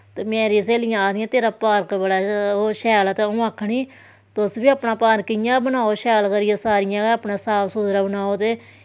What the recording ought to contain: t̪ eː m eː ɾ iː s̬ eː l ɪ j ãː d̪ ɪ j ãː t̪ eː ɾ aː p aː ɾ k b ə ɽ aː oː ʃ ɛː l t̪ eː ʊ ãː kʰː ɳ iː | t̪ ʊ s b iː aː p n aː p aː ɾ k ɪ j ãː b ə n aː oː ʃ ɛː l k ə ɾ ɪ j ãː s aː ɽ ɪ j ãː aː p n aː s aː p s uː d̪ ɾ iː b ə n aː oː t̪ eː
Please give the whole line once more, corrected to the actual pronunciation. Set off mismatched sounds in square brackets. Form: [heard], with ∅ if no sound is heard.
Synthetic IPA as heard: t̪ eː m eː ɾ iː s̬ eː l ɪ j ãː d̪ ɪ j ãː t̪ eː ɾ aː p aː ɾ k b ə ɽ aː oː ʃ ɛː l t̪ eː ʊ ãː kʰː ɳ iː | t̪ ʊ s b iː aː p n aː p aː ɾ k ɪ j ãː b ə n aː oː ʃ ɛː l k ə ɾ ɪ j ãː s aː [ɾ] ɪ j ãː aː p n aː s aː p s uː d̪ ɾ [aː] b ə n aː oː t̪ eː